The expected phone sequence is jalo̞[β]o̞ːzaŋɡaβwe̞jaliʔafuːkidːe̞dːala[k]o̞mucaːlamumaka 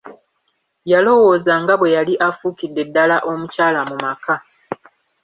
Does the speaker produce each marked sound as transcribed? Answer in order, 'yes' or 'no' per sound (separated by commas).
no, no